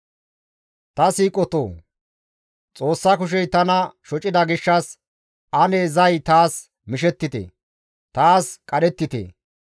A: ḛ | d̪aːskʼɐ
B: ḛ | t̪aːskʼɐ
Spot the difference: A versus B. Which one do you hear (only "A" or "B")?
B